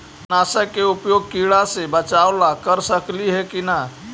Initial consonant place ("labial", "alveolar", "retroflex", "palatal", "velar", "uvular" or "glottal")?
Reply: alveolar